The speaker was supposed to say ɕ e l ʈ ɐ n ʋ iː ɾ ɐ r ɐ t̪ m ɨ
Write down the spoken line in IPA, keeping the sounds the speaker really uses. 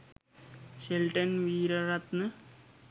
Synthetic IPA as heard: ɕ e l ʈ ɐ n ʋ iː ɾ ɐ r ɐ t̪ n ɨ